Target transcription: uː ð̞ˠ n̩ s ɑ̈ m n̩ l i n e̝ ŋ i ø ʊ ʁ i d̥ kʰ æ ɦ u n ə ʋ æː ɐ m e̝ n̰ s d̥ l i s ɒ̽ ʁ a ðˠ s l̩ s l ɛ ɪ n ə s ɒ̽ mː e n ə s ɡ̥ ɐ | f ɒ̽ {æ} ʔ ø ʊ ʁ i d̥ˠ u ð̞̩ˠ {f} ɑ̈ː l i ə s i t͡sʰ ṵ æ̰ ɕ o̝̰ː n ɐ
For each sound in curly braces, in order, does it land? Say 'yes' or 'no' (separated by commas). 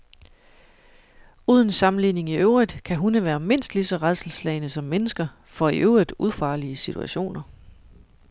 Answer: no, yes